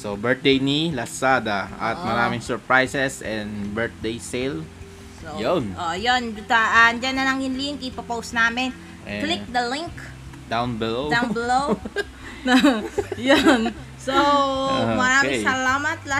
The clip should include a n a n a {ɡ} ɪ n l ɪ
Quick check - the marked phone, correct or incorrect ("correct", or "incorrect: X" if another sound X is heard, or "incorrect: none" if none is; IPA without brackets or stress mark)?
incorrect: ŋ